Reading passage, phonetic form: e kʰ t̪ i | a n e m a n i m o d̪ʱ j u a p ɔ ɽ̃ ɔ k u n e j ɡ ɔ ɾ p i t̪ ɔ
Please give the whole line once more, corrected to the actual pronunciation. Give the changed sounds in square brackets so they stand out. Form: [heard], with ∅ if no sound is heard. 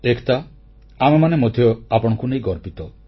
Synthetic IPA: e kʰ t̪ [a] | a [m] e m a n [e] m o d̪ʱ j [ɔ] a p ɔ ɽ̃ ɔ k u n e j ɡ ɔ ɾ p i t̪ ɔ